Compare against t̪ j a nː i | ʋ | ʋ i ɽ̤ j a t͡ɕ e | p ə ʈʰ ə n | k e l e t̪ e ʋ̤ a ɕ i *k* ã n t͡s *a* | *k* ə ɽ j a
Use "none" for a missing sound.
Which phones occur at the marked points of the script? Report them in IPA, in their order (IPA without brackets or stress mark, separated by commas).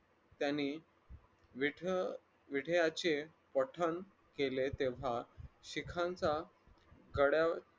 kʰ, a, ɡ